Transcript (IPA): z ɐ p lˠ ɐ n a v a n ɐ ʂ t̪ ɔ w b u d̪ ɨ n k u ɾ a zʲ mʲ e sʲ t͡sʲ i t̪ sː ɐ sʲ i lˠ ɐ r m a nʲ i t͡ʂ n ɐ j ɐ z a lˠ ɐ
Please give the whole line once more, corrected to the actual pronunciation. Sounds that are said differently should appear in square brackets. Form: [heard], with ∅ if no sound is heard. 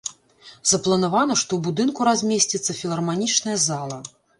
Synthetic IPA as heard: z ɐ p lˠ ɐ n a v a n ɐ ʂ t̪ ɔ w b u d̪ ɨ n k u ɾ a zʲ mʲ e sʲ t͡sʲ i t̪ sː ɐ [fʲ] i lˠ ɐ r m a nʲ i t͡ʂ n ɐ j ɐ z a lˠ ɐ